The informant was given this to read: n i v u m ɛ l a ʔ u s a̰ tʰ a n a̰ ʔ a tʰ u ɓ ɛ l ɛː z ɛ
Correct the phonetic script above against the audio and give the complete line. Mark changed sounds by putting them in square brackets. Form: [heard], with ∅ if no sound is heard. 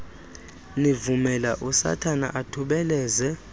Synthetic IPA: n i v u m ɛ l a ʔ u s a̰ tʰ a n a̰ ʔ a tʰ u ɓ ɛ l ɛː z ɛ